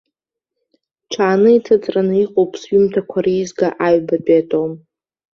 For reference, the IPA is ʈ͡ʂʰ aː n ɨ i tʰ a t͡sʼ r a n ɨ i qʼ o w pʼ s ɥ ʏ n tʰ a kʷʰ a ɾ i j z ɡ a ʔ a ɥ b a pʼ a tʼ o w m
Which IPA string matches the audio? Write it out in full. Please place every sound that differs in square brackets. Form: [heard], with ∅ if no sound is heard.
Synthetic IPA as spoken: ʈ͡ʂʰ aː n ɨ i tʰ a t͡sʼ r a n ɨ i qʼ o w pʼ s ɥ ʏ [m] tʰ a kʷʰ a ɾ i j z ɡ a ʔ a ɥ b a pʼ a tʼ o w m